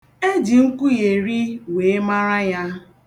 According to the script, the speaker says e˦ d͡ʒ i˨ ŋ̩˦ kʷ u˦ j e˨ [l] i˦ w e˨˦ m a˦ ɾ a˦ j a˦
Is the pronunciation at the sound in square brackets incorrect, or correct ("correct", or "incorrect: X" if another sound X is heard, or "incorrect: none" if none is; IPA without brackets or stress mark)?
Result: incorrect: ɾ